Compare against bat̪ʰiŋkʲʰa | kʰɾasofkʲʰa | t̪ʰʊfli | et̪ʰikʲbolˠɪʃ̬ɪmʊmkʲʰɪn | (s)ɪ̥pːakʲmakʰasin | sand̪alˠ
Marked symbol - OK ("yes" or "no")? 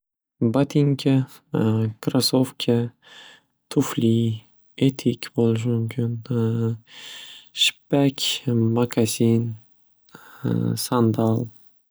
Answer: no